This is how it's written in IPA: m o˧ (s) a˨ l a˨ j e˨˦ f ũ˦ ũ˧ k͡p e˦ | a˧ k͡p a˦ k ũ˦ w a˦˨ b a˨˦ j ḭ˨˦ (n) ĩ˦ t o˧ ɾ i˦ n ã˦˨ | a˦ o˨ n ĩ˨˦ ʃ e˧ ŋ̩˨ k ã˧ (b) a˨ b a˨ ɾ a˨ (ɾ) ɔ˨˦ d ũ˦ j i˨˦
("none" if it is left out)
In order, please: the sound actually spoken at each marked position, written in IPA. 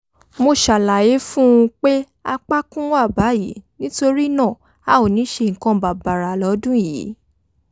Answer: ʃ, n, b, l

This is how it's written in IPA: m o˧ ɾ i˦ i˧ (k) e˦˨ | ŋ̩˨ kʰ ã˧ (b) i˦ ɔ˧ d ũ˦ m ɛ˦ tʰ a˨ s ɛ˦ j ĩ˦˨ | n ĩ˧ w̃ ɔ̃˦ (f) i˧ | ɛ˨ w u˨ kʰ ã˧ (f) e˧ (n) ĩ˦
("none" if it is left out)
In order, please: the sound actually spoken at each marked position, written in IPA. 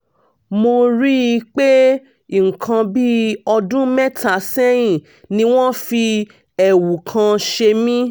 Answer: k͡p, b, f, ʃ, m

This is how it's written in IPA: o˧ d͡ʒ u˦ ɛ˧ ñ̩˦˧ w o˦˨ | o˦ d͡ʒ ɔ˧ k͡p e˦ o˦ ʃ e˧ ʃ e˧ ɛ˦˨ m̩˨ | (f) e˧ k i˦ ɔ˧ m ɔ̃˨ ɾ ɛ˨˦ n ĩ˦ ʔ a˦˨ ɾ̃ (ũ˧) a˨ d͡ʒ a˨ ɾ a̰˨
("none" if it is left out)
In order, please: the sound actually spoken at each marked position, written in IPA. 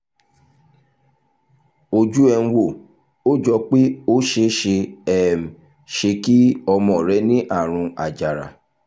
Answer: ʃ, ũ˧

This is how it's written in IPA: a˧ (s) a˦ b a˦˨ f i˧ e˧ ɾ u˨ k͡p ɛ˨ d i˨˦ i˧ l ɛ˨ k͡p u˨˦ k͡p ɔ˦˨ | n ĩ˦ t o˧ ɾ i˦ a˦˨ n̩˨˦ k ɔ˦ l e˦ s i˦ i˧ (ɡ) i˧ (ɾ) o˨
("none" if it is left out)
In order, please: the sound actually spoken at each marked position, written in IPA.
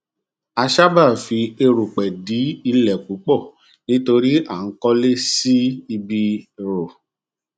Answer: ʃ, b, ɾ

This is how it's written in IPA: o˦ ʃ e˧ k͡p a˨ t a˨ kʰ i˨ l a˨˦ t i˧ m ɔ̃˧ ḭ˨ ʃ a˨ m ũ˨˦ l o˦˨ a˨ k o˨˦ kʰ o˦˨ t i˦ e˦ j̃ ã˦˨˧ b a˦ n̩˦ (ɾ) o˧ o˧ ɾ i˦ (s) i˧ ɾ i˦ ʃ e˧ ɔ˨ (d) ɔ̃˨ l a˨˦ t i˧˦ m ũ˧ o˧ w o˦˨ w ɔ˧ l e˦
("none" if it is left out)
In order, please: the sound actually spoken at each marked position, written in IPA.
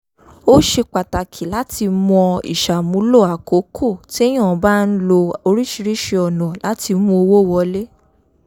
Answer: l, ʃ, n

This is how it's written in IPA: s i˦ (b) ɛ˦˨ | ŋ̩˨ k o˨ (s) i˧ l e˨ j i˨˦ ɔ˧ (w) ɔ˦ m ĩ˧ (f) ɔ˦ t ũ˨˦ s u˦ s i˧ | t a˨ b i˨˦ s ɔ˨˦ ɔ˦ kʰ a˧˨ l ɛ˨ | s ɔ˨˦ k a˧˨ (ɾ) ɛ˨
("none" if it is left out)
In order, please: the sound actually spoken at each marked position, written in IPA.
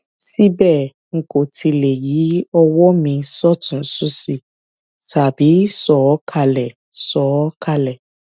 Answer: b, t, w, s, l

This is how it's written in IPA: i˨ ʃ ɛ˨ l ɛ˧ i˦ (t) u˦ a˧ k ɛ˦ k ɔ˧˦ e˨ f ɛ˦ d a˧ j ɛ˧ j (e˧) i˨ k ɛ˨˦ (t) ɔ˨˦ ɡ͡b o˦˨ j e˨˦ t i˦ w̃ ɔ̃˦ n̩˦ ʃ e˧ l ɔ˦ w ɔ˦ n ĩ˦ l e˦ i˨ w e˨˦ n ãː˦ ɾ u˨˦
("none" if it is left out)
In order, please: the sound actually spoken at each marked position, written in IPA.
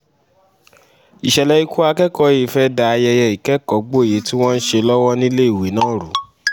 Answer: k, ɛ˧, k

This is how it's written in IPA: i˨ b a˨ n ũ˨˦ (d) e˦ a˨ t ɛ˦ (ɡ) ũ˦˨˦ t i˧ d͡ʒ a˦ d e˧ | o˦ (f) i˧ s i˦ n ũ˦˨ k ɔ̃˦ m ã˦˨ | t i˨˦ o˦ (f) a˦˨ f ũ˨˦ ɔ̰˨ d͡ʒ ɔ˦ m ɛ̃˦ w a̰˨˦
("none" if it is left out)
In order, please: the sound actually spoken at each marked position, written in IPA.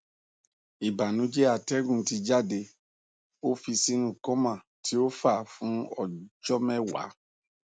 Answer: d͡ʒ, ɡ, f, f

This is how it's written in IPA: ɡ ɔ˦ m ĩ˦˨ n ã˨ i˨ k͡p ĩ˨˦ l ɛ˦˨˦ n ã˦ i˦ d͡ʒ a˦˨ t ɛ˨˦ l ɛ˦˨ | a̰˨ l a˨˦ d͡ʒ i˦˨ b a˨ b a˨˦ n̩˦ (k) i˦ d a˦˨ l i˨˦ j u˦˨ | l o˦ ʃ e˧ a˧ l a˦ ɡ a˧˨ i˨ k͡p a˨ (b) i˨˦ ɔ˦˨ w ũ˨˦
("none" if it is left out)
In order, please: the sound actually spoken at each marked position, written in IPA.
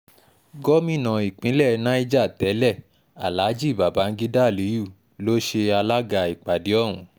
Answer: ɡ, d

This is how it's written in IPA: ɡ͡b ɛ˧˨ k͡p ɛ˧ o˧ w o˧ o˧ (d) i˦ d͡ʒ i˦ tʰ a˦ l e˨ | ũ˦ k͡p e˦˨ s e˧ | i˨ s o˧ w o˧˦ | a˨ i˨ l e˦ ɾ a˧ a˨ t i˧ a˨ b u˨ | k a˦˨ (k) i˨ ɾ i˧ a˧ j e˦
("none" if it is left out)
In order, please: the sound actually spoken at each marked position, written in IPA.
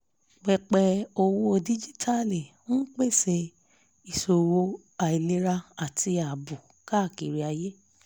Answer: d, k

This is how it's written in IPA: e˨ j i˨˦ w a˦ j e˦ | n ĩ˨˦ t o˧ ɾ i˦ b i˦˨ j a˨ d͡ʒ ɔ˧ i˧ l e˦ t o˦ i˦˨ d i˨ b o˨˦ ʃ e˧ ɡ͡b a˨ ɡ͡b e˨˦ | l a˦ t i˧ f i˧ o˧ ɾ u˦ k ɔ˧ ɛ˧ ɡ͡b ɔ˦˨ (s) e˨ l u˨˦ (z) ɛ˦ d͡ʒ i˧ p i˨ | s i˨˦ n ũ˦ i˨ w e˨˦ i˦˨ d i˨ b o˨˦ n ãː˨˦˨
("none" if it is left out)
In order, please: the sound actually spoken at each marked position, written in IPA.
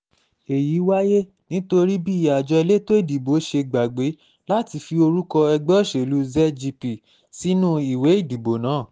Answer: ʃ, z

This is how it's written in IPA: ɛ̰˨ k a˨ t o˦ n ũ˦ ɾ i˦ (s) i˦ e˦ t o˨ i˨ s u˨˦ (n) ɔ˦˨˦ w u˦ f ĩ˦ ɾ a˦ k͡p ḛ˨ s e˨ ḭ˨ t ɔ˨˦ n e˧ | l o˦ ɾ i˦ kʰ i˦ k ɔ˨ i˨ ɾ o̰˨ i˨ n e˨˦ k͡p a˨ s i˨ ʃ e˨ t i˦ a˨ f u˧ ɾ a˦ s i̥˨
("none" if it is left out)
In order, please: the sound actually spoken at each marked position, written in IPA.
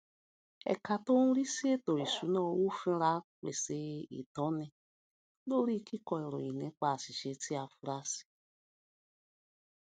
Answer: s, n

